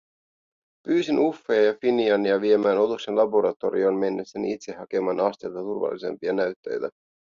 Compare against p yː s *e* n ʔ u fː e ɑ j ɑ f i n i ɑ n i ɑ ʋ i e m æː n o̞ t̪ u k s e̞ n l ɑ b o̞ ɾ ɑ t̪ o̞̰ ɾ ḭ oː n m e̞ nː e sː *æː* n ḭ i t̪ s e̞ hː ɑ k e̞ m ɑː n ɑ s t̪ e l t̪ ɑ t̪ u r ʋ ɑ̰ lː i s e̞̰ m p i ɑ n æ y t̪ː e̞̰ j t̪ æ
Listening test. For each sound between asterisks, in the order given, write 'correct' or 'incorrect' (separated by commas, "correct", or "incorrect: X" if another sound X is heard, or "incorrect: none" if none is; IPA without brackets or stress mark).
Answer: incorrect: i, incorrect: æ